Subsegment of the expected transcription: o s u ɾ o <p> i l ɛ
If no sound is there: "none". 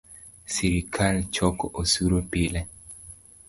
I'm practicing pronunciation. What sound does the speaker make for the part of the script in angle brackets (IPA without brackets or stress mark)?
p